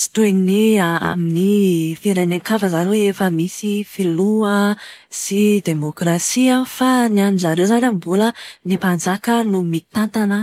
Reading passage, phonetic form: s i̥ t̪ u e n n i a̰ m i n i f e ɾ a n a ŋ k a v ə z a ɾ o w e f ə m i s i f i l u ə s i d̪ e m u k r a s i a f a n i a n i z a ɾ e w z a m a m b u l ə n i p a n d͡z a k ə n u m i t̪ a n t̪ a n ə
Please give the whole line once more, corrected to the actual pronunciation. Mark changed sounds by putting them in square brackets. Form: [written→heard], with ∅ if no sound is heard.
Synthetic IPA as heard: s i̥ t̪ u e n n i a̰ m i n i f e ɾ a n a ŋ k a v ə z a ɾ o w e f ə m i s i f i l u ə s i d̪ e m [u→o] k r a s i a f a n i a n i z a ɾ e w z a [m→n] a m b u l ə n i p a n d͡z a k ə n u m i t̪ a n t̪ a n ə